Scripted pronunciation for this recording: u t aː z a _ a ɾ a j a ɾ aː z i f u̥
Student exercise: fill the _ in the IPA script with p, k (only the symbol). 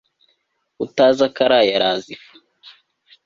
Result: k